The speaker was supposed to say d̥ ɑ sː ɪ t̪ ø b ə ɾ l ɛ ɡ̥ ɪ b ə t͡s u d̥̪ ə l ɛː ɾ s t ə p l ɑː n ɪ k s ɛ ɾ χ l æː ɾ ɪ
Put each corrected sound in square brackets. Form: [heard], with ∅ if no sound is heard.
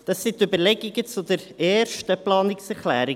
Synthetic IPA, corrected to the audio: d̥ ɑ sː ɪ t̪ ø b ə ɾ l ɛ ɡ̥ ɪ [ɡ] ə t͡s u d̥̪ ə [ɾ] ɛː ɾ [ʃ] t ə p l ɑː n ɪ k s ɛ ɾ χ l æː ɾ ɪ